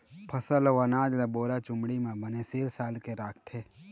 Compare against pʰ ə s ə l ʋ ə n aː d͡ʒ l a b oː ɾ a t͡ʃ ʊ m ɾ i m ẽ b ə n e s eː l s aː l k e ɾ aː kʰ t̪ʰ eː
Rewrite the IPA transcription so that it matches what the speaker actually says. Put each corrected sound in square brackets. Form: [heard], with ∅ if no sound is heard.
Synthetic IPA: pʰ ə s ə l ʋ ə n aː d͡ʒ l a b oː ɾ a t͡ʃ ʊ m [ɽ] i m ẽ b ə n e s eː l s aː l k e ɾ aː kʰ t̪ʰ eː